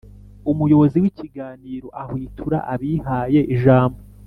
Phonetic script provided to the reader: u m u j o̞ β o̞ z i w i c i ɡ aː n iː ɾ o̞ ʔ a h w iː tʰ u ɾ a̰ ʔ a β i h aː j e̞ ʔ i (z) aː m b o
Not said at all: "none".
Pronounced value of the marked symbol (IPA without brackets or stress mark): ʒ